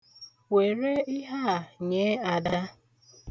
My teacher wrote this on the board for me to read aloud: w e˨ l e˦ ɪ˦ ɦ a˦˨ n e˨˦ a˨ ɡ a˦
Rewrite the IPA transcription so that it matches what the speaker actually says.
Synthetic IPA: w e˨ ɾ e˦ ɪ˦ ɦ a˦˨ ɲ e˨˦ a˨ d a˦